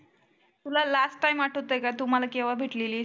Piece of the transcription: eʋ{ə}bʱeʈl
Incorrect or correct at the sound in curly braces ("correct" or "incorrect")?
incorrect